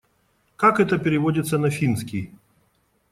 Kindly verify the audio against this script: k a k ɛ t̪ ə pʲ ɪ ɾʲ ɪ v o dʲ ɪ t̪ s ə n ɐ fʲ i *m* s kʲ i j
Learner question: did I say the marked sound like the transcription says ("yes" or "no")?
no